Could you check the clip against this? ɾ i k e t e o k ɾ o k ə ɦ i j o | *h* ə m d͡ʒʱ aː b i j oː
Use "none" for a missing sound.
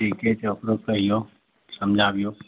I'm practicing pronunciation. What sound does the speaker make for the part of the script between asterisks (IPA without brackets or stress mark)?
s